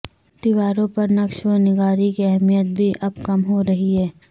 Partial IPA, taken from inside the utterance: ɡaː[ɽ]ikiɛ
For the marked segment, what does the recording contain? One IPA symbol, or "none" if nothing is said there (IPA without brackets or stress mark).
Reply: ɾ